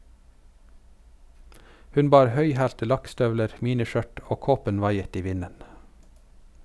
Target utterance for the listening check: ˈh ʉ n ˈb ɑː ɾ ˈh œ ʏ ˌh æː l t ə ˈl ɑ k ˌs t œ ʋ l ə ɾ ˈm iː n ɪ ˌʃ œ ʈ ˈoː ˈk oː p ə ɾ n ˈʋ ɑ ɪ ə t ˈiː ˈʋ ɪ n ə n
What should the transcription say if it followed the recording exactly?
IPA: ˈh ʉ n ˈb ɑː ɾ ˈh œ ʏ ˌh æː l t ə ˈl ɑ k ˌs t œ ʋ l ə ɾ ˈm iː n ɪ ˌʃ œ ʈ ˈoː ˈk oː p ə n ˈʋ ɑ ɪ ə t ˈiː ˈʋ ɪ n ə n

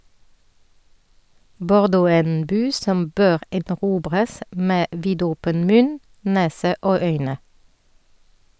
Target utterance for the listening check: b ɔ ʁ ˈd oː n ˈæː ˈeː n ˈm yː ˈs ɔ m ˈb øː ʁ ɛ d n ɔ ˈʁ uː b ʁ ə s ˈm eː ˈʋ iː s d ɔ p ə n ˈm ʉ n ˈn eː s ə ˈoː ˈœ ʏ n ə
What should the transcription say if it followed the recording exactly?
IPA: b ɔ ʁ ˈd oː ˈæː ˈeː n ˈb yː ˈs ɔ m ˈb øː ʁ ɛ d n ɔ ˈʁ uː b ʁ ə s ˈm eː ˈʋ iː d ɔ p ə n ˈm ʉ n ˈn eː s ə ˈoː ˈœ ʏ n ə

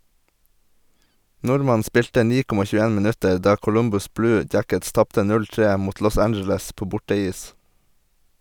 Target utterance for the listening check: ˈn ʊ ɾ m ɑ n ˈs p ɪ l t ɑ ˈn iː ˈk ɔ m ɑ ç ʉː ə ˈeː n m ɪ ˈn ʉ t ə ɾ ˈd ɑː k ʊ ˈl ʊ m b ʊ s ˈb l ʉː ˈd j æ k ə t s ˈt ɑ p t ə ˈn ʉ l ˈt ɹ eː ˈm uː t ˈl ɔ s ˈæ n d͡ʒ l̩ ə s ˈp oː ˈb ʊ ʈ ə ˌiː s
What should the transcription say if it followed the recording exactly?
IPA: ˈn ʊ ɾ m ɑ n ˈs p ɪ l t ə ˈn iː ˈk ɔ m ɑ ç ʉː ə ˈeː n m ɪ ˈn ʉ t ə ɾ ˈd ɑː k ʊ ˈl ʊ m b ʊ s ˈb l ʉː ˈd j æ k ə t s ˈt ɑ p t ə ˈn ʉ l ˈt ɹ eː ˈm uː t ˈl ɔ s ˈæ n d͡ʒ l̩ ə s ˈp oː ˈb ʊ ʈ ə ˌiː s

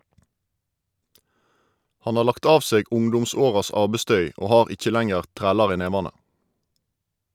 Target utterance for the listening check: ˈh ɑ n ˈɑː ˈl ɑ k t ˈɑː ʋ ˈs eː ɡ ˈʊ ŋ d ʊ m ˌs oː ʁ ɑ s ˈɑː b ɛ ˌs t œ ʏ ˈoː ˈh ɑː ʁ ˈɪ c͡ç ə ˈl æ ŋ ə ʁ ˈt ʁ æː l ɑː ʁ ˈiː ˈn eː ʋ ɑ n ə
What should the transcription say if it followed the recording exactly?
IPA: ˈh ɑ n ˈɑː ˈl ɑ k t ˈɑː ʋ ˈs eː ɡ ˈʊ ŋ d ʊ m ˌs oː ʁ ɑ s ˈɑː b ɛ ˌs t œ ʏ ˈoː ˈh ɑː ʁ ˈɪ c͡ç ə ˈl æ ŋ ə ʁ ˈt ʁ æː l ɑ ʁ ˈiː ˈn eː ʋ ɑ n ə

